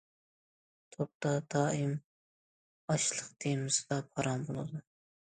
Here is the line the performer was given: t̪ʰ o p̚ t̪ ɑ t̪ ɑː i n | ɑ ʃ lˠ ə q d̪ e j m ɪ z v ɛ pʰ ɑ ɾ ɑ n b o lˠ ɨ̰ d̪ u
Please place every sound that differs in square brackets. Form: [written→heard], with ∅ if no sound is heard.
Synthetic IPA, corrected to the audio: t̪ʰ o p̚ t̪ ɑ [t̪→d̪] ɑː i [n→m] | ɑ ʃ lˠ ə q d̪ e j m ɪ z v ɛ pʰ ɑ ɾ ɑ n b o lˠ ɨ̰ d̪ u